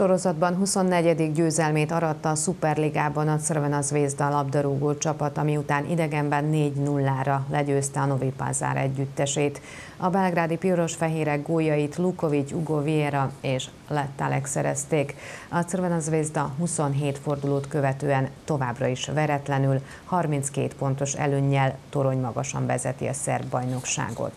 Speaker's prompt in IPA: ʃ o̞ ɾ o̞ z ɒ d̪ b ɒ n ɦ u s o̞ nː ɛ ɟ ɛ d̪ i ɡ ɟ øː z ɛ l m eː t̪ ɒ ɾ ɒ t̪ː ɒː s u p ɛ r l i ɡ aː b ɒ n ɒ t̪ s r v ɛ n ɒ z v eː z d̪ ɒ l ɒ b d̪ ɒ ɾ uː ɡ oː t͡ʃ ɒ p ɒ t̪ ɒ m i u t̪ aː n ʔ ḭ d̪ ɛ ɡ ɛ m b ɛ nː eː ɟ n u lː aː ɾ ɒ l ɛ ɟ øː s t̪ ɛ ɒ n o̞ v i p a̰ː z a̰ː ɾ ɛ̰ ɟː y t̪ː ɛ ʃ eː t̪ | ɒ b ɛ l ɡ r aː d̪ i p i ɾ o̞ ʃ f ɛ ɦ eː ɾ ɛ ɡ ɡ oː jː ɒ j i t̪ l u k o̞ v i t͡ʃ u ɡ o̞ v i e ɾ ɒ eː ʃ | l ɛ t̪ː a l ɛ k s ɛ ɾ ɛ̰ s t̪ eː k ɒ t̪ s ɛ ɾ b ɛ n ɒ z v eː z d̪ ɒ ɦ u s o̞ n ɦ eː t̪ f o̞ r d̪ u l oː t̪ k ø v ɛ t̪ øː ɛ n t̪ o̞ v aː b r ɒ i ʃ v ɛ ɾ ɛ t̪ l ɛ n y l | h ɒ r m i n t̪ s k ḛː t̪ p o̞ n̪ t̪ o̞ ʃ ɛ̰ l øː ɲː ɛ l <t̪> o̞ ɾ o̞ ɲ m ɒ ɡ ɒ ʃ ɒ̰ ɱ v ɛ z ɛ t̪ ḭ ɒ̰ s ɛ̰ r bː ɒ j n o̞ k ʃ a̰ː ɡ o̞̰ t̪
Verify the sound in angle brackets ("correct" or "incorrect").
correct